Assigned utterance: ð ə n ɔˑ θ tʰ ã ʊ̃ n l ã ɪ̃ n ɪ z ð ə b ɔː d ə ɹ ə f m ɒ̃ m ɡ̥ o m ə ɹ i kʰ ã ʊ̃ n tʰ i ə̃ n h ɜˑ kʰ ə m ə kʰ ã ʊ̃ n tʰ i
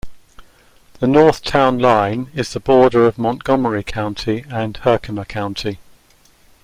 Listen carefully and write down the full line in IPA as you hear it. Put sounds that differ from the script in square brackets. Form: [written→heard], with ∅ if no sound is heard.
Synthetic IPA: ð ə n ɔˑ θ tʰ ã ʊ̃ n l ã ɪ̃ n ɪ z ð ə b ɔː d ə ɹ ə [f→v] m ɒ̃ [m→n] ɡ̥ [o→ɒ] m ə ɹ i kʰ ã ʊ̃ n tʰ i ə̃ n h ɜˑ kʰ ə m ə kʰ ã ʊ̃ n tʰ i